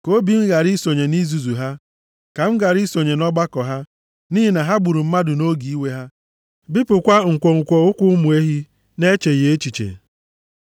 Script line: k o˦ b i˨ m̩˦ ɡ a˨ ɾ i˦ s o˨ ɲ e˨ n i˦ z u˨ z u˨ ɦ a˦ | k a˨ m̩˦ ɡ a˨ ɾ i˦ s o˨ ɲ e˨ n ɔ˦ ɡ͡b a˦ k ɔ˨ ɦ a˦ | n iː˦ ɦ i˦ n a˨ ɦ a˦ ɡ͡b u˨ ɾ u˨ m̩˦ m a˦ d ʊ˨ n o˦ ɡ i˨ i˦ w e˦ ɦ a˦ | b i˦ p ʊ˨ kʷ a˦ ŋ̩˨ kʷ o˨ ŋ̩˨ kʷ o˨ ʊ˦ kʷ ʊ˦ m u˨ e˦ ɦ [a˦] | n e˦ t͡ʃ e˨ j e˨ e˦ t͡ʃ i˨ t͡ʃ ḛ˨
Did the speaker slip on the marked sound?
yes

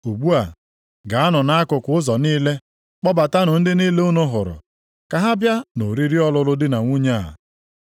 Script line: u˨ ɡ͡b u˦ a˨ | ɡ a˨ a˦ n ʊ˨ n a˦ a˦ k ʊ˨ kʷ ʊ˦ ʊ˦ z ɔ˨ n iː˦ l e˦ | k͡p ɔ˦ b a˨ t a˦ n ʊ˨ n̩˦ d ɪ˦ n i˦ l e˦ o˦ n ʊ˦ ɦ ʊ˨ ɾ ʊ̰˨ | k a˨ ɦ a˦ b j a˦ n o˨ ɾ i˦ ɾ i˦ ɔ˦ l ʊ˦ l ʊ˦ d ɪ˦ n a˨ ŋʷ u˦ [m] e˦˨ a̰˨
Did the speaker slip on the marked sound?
yes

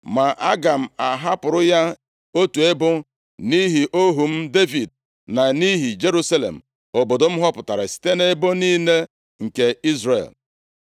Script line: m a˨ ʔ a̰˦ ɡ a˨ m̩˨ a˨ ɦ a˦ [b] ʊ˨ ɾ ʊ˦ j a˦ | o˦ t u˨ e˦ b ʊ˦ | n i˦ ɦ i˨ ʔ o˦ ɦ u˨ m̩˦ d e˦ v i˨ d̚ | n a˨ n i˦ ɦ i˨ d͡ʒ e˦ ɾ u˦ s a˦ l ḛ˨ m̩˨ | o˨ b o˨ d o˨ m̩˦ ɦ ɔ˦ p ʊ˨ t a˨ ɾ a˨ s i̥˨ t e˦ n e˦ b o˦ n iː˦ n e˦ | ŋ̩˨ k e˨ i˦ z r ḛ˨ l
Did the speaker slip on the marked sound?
yes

